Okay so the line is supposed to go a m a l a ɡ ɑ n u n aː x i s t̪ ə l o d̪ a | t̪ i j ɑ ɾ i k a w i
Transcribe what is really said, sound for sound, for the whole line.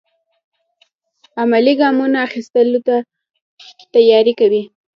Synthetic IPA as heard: a m a l i ɡ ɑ m u n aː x i s t̪ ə l o t̪ a | t̪ a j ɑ ɾ i k a w i